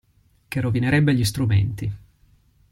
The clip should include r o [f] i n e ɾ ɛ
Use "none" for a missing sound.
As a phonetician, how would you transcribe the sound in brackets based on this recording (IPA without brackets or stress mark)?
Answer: v